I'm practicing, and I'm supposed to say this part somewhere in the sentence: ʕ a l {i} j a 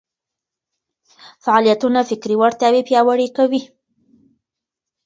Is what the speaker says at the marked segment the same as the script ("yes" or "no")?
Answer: yes